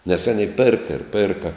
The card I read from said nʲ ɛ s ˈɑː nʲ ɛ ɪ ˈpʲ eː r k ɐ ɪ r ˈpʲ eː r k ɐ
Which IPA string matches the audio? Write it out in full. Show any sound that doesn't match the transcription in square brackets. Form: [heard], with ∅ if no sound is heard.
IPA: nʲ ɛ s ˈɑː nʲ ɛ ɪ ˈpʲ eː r k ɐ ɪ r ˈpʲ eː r k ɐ